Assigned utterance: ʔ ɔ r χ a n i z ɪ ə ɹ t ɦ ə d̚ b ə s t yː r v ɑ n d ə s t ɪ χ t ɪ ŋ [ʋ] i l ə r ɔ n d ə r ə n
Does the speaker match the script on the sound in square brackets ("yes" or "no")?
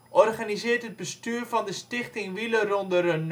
yes